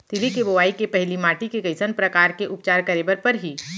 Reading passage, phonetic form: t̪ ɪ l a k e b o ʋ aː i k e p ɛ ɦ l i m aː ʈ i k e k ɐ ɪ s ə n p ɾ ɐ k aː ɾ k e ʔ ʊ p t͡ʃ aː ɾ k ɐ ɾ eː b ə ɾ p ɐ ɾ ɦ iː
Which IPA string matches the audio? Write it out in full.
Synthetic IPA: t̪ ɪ l i k e b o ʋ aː i k e p ɛ ɦ l i m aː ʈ i k e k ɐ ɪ s ə n p ɾ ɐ k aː ɾ k e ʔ ʊ p t͡ʃ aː ɾ k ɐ ɾ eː b ə ɾ p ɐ ɾ ɦ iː